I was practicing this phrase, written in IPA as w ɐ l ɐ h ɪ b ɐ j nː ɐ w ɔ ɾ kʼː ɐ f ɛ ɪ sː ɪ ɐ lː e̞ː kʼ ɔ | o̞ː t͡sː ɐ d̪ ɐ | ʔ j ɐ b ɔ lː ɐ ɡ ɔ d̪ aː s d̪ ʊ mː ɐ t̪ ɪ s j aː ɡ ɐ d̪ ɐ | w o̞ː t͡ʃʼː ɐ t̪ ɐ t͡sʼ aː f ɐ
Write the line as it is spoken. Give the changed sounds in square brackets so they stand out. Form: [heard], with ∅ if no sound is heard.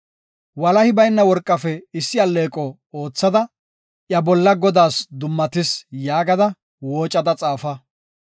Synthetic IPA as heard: w ɐ l ɐ h ɪ b ɐ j nː ɐ w ɔ ɾ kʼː ɐ f ɛ ɪ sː ɪ ɐ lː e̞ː kʼ ɔ | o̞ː t͡sː ɐ d̪ ɐ | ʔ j ɐ b ɔ lː ɐ ɡ ɔ d̪ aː s d̪ ʊ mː ɐ t̪ ɪ s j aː ɡ ɐ d̪ ɐ | w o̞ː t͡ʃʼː ɐ [d̪] ɐ t͡sʼ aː f ɐ

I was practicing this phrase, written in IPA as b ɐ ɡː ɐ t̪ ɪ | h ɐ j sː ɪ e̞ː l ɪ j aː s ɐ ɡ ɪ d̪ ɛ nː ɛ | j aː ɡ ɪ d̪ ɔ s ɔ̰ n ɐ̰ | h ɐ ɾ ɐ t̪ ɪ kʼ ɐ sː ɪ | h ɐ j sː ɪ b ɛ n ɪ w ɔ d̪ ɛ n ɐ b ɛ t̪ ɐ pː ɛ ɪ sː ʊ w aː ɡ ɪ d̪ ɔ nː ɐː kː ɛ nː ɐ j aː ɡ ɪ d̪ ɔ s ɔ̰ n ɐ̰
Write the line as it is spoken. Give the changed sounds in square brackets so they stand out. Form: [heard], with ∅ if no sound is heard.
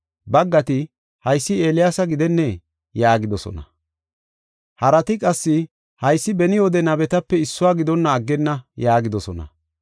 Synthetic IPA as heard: b ɐ ɡː ɐ t̪ ɪ | h ɐ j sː ɪ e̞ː l ɪ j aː s ɐ ɡ ɪ d̪ ɛ nː ɛ | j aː ɡ ɪ d̪ ɔ s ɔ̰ n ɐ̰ | h ɐ ɾ ɐ t̪ ɪ kʼ ɐ sː ɪ | h ɐ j sː ɪ b ɛ n ɪ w ɔ d̪ ɛ n ɐ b ɛ t̪ ɐ pː ɛ ɪ sː ʊ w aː ɡ ɪ d̪ ɔ nː ɐː [ɡː] ɛ nː ɐ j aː ɡ ɪ d̪ ɔ s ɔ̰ n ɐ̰

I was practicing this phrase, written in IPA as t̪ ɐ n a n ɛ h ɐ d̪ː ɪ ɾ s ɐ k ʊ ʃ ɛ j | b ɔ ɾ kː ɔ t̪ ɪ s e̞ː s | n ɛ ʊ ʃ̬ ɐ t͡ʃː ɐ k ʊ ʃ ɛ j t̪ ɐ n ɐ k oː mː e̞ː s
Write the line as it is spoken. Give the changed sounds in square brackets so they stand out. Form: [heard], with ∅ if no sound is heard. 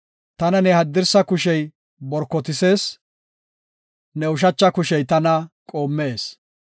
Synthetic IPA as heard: t̪ ɐ n [ɐ] n ɛ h ɐ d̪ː ɪ ɾ s ɐ k ʊ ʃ ɛ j | b ɔ ɾ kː ɔ t̪ ɪ s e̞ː s | n ɛ ʊ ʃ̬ ɐ t͡ʃː ɐ k ʊ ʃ ɛ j t̪ ɐ n ɐ [kʼ] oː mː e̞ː s

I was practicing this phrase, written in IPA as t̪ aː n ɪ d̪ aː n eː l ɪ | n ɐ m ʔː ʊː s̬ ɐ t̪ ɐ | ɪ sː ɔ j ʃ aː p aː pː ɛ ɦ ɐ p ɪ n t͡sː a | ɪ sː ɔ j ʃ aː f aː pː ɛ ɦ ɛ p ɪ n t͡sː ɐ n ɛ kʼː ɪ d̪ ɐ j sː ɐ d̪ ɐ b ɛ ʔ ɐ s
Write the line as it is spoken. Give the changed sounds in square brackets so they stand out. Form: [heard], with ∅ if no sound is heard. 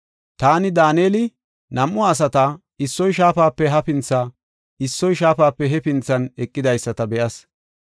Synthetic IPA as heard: t̪ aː n ɪ d̪ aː n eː l ɪ | n ɐ m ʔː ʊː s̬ ɐ t̪ ɐ | ɪ sː ɔ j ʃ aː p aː pː ɛ ɦ ɐ p ɪ n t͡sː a | ɪ sː ɔ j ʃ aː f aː pː ɛ ɦ ɛ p ɪ n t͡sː ɐ n ɛ kʼː ɪ d̪ ɐ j sː ɐ [t̪] ɐ b ɛ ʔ ɐ s

